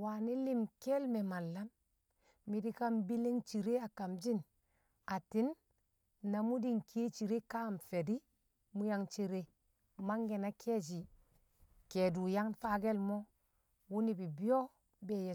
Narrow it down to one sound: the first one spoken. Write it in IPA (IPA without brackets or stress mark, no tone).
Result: w